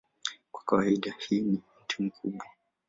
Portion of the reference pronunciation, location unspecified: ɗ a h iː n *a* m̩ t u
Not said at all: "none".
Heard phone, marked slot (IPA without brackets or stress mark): i